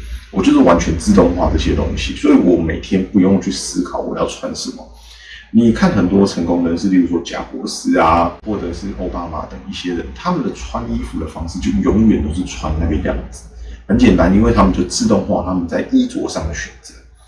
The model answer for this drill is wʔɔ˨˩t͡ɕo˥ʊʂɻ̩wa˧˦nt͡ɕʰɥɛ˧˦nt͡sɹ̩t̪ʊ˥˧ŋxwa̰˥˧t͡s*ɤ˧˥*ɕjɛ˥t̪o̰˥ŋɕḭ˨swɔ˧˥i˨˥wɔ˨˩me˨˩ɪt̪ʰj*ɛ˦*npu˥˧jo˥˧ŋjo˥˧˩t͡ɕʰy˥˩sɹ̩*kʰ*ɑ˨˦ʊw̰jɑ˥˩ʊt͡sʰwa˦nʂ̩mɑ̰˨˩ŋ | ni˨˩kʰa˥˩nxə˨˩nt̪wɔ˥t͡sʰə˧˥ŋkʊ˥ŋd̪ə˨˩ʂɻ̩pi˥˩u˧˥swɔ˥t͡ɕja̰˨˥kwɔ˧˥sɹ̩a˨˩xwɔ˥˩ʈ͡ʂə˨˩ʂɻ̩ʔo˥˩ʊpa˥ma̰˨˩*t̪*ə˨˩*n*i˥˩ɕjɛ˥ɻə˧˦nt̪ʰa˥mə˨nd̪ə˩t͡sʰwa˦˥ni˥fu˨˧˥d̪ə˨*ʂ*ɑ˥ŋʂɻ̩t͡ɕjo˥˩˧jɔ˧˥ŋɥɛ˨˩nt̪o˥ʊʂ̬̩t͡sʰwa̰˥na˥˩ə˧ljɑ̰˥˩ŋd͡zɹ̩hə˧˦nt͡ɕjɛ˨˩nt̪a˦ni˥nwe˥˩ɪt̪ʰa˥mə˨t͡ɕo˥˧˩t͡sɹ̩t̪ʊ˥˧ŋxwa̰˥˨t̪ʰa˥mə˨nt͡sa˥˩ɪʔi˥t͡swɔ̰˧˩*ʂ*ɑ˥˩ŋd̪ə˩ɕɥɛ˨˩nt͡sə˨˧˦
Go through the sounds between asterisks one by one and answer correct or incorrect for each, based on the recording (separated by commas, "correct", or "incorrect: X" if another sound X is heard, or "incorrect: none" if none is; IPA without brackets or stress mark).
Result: incorrect: ɤ˥˩, correct, correct, correct, incorrect: ŋ, incorrect: f, correct